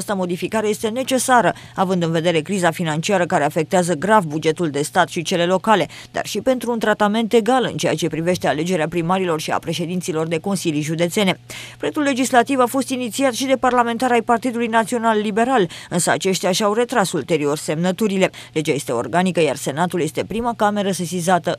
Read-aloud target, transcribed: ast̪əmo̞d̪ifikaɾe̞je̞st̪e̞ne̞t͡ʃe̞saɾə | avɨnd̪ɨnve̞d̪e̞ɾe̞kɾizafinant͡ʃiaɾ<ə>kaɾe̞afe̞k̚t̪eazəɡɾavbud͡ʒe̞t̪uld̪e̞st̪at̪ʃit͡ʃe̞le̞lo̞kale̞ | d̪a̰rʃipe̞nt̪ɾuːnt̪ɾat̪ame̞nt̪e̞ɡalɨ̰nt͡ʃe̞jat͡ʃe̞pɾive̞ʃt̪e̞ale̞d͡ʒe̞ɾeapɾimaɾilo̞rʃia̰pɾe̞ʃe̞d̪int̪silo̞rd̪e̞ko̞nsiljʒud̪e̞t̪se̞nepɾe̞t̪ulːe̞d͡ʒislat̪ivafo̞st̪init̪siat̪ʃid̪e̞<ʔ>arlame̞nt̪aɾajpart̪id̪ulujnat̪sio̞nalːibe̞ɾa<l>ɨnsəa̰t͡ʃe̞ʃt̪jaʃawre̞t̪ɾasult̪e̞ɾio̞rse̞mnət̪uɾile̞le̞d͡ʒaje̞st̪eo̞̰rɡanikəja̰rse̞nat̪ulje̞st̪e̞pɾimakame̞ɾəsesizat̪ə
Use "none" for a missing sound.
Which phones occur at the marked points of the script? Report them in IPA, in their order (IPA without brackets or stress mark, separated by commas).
ə, p, l